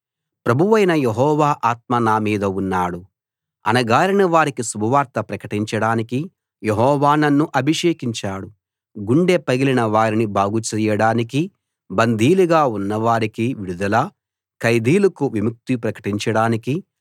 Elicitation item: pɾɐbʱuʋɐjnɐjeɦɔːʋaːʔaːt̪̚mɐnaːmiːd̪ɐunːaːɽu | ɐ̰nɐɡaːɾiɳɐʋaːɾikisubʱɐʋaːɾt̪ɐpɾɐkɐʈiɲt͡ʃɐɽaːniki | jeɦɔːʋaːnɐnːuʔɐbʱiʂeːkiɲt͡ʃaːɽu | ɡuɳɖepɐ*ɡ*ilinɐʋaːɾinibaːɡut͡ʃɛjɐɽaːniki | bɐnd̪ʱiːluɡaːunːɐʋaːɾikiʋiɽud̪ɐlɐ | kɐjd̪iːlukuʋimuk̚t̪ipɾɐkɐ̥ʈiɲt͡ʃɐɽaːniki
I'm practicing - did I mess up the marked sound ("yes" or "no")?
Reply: no